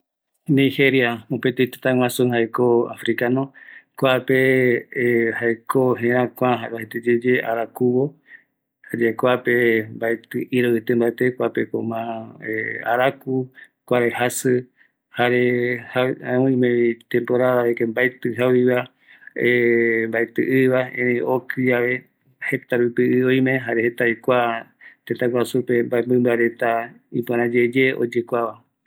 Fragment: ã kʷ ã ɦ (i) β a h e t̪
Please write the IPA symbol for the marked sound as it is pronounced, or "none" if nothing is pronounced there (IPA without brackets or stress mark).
a